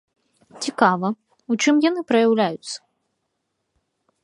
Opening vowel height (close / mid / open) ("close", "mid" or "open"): close